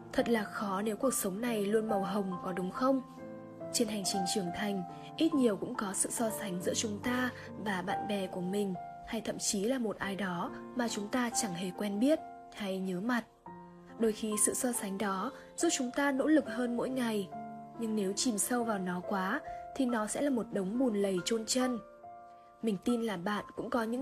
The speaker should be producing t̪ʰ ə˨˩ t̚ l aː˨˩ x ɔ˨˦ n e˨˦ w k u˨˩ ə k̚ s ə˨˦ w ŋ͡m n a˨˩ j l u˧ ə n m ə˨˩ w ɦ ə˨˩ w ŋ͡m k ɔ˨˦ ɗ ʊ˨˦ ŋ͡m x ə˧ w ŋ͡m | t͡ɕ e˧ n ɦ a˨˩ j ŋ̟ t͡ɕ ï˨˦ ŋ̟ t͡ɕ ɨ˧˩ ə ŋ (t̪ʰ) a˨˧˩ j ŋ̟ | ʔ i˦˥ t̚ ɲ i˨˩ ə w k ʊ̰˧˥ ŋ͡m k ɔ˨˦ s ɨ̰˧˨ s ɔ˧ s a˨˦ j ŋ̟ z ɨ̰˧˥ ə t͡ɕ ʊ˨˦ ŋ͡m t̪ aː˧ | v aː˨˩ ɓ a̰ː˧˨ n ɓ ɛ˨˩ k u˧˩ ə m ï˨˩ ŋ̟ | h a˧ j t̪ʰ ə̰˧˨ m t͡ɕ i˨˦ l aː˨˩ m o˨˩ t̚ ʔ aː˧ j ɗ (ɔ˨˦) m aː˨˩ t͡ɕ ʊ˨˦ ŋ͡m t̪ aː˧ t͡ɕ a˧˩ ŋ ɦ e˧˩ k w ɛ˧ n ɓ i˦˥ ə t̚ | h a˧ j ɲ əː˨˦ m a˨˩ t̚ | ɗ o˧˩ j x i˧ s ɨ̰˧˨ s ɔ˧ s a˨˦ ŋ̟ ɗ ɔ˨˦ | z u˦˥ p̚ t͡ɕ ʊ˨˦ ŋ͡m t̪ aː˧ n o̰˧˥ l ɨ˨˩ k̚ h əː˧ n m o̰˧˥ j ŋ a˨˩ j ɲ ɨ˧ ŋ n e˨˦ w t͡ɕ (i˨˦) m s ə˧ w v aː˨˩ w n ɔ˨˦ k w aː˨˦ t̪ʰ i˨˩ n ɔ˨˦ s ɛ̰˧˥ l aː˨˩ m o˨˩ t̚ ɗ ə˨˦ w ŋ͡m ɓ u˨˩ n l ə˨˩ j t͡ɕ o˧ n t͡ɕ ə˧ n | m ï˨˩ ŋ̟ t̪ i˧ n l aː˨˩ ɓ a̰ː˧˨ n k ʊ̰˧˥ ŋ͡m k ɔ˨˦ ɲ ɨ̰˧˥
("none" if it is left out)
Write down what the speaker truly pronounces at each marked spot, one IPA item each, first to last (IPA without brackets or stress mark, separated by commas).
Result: t̪ʰ, ɔ˨˦, i˨˩